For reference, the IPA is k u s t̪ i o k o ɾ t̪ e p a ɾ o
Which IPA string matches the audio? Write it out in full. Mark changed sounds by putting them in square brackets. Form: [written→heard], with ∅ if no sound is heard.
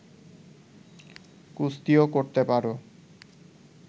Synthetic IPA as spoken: k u s t̪ i o k o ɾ t̪ e p a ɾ o